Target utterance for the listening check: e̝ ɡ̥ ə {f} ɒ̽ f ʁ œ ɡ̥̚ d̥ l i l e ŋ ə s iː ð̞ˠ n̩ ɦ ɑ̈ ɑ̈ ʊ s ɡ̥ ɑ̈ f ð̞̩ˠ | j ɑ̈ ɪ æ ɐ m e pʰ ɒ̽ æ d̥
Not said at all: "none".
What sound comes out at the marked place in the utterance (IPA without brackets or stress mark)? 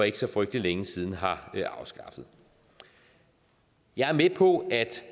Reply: s